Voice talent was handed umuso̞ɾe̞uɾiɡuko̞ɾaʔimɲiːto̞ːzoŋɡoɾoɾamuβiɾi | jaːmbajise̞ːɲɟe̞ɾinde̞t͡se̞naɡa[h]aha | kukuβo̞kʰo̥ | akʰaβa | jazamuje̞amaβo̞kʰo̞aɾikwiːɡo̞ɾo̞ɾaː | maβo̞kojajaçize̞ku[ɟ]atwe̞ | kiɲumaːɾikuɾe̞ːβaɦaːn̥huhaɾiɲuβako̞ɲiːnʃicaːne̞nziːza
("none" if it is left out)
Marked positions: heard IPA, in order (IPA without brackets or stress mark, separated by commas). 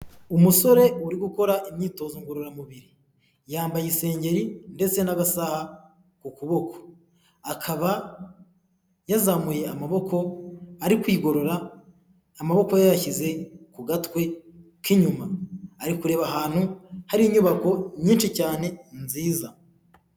s, ɡ